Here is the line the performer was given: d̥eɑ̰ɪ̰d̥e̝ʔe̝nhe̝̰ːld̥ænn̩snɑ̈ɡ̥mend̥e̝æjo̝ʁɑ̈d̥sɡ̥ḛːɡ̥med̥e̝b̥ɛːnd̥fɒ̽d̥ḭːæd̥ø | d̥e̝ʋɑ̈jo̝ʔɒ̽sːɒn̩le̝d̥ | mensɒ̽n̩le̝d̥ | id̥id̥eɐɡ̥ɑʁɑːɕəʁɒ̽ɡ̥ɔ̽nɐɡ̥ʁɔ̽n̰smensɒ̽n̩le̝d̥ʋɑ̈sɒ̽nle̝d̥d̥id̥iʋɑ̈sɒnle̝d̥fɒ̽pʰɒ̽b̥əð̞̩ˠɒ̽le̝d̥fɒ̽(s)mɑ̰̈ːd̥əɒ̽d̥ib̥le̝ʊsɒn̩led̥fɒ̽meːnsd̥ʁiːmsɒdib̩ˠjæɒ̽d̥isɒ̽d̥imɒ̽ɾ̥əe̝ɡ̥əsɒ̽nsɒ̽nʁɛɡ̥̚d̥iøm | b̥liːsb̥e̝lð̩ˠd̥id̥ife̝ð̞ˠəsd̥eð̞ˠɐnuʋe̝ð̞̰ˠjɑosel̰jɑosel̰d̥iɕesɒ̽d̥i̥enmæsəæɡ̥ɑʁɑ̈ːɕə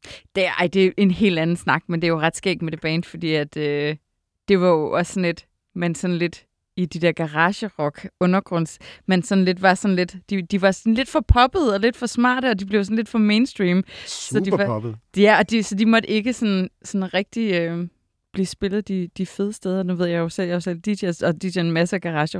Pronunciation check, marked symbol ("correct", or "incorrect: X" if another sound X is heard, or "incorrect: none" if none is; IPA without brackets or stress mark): correct